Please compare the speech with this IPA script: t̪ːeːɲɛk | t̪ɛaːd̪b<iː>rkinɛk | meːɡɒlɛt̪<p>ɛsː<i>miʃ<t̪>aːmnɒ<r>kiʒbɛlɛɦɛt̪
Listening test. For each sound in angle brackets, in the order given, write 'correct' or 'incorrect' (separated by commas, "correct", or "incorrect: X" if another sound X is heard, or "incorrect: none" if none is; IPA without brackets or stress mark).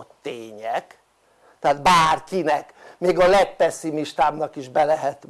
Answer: incorrect: aː, correct, correct, correct, incorrect: none